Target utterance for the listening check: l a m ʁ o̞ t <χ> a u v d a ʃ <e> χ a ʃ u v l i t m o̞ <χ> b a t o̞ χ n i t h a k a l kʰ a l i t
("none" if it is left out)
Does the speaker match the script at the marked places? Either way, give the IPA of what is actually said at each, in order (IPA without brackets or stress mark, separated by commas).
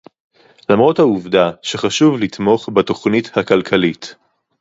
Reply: h, e, χ